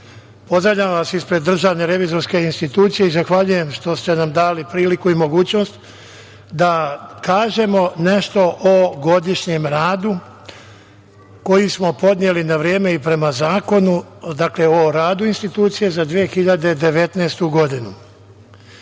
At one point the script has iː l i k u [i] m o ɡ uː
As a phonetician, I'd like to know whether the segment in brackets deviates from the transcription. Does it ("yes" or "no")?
no